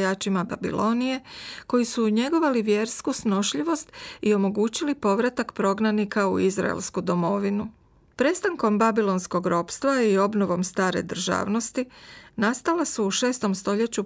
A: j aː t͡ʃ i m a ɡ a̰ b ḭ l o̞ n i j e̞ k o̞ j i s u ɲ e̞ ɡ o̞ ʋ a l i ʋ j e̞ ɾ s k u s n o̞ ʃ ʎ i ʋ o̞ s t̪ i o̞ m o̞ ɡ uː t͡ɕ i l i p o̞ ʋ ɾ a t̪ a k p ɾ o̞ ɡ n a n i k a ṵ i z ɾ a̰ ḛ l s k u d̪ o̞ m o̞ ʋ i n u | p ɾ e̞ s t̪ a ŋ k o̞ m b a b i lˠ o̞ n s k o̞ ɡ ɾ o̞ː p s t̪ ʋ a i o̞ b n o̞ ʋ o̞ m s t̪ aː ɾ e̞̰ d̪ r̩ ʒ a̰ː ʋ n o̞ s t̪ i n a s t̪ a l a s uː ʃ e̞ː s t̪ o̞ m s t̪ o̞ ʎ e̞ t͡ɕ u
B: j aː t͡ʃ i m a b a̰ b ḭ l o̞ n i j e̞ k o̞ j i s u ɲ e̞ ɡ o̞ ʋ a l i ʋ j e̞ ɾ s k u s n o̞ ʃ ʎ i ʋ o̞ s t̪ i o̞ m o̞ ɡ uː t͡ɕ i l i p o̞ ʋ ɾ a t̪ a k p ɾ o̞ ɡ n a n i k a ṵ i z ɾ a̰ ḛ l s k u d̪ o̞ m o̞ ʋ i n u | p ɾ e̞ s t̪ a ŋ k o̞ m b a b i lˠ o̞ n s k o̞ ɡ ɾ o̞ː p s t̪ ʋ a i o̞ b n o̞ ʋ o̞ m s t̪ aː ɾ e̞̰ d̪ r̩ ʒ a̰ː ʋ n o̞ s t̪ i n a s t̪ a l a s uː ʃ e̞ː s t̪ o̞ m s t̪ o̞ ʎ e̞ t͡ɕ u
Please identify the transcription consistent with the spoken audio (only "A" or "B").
B